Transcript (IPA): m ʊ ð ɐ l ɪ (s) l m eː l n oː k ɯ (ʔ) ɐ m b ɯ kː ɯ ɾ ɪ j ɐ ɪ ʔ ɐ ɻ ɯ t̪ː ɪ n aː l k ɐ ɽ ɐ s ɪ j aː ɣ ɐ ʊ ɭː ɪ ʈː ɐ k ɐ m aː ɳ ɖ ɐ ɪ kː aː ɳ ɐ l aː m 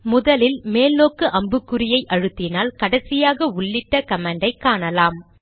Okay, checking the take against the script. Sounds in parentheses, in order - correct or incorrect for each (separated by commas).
incorrect, correct